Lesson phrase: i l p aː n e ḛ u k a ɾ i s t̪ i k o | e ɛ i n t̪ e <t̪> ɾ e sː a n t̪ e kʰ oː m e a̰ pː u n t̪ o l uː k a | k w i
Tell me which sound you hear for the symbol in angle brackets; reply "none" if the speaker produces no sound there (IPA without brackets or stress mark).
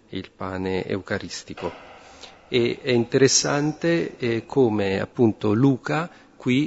none